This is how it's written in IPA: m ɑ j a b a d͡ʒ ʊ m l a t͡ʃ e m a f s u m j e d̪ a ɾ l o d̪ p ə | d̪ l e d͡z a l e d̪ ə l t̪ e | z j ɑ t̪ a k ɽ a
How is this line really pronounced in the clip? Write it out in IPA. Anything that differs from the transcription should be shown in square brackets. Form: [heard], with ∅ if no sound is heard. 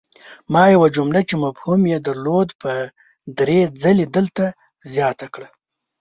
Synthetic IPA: m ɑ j a [w] a d͡ʒ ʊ m l a t͡ʃ e m a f [h] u m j e d̪ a ɾ l o d̪ p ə | d̪ [ɾ] e d͡z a l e d̪ ə l t̪ [a] | z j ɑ t̪ a k ɽ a